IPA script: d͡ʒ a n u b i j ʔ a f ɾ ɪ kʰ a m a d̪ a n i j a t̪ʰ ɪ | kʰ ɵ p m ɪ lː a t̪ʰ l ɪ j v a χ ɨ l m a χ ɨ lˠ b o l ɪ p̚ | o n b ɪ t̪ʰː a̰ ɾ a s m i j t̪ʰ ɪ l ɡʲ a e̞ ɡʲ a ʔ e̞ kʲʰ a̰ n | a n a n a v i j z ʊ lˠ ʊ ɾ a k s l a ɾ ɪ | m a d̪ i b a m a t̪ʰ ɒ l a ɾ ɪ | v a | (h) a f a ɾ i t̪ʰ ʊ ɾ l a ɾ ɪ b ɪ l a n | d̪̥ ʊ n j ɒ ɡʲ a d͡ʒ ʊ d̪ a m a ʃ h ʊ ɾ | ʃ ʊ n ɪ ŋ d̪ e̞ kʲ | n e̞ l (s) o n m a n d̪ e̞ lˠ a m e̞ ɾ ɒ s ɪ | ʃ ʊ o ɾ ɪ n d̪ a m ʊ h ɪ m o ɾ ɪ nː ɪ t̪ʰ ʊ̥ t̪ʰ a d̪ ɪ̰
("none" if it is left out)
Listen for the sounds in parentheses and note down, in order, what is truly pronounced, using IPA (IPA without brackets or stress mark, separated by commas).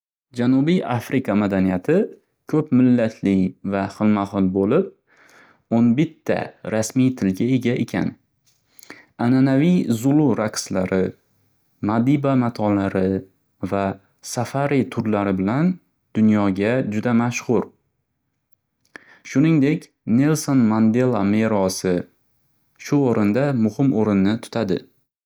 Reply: s, s